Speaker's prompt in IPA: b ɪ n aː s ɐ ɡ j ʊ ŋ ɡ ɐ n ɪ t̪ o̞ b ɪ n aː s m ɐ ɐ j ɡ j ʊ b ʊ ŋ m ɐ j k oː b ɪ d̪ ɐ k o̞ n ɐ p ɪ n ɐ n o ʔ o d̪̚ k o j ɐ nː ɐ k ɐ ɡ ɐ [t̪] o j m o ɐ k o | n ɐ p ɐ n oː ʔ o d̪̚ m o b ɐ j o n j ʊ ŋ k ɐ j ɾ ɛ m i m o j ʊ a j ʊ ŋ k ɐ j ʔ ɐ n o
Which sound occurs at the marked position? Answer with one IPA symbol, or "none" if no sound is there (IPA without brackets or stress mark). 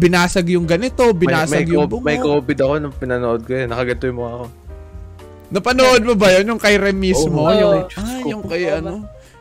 t̪